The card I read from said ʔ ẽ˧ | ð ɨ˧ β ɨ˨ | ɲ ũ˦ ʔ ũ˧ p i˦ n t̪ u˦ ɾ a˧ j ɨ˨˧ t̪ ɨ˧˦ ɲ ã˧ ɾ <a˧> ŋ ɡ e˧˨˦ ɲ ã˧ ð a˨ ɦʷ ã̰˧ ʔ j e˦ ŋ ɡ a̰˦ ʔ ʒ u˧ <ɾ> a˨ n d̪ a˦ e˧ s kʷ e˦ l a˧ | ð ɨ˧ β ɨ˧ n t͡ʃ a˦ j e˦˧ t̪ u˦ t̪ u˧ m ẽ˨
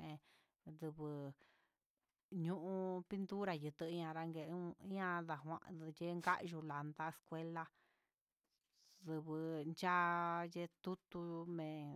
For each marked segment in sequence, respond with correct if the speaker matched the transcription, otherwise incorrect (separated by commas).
correct, incorrect